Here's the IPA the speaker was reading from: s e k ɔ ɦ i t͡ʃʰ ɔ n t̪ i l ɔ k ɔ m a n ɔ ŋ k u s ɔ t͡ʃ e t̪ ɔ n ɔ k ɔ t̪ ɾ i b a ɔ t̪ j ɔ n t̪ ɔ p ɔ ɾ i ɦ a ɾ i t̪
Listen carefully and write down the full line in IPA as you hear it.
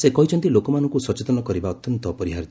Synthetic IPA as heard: s e k ɔ ɦ i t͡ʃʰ ɔ n t̪ i l o k ɔ m a n ɔ ŋ k u s ɔ t͡ʃ e t̪ ɔ n ɔ k ɔ ɾ i b a ɔ t̪ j ɔ n t̪ ɔ p ɔ ɾ i ɦ a ɾ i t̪